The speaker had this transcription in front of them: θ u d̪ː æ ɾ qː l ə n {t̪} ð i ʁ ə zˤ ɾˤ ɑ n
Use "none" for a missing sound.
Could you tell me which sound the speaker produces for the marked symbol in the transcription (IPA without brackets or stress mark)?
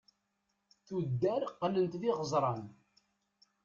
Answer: t̪